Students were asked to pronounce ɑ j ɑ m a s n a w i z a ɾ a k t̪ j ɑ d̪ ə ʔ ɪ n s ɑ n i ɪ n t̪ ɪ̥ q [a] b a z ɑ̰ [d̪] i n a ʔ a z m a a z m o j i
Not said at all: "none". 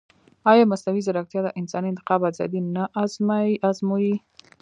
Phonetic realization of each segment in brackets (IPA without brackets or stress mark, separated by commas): ɑ, d̪